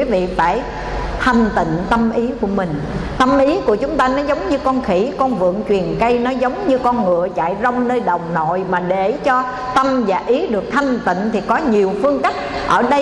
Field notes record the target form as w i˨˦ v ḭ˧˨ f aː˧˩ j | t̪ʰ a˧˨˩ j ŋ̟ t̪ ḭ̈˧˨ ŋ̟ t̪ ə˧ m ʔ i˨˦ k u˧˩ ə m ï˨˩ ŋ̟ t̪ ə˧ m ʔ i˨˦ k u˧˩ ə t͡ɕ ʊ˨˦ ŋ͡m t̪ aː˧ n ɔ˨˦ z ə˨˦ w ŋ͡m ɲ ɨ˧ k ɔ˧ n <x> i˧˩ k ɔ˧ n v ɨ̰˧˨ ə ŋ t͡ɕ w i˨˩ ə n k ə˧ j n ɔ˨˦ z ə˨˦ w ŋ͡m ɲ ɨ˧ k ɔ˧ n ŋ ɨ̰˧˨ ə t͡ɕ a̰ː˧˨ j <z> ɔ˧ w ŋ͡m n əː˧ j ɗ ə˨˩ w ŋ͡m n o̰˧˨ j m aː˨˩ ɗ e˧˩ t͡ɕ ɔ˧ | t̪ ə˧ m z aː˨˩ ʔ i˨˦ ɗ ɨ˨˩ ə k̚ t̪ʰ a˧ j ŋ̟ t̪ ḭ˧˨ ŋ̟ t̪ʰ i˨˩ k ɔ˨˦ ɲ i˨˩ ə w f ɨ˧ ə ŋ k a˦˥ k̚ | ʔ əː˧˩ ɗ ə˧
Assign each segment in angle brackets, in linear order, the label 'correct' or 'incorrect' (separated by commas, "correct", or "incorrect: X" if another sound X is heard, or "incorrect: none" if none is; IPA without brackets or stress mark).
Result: correct, correct